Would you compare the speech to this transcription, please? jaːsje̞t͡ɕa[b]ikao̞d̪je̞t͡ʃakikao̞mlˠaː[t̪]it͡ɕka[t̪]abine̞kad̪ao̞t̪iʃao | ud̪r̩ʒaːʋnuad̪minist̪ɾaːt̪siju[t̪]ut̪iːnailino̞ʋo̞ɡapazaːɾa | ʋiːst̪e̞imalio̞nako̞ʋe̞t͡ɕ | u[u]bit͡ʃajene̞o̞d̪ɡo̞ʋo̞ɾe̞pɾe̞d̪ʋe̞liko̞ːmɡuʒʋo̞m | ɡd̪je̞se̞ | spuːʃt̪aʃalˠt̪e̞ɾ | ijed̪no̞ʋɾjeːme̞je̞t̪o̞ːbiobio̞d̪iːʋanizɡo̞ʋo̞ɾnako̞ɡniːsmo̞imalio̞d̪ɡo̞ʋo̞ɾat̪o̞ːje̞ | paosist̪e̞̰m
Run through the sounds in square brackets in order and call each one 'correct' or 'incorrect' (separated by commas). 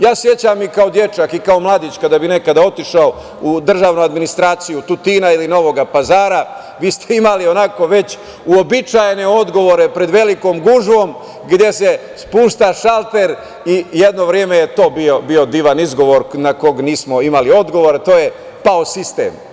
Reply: incorrect, incorrect, incorrect, correct, incorrect